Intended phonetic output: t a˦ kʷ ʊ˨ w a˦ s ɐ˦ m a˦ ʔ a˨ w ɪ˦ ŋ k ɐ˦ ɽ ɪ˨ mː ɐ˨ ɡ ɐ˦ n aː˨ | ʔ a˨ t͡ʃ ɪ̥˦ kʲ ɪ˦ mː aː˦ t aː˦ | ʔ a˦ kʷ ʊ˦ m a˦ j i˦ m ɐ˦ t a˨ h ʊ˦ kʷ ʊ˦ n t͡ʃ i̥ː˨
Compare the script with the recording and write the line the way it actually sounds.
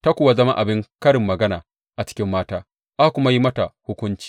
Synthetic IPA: t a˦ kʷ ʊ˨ w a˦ z ɐ˦ m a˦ ʔ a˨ b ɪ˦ ŋ k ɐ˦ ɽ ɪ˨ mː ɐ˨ ɡ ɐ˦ n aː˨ | ʔ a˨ t͡ʃ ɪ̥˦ kʲ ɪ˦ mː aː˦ t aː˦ | ʔ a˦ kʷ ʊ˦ m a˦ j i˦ m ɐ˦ t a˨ h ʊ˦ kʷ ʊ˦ n t͡ʃ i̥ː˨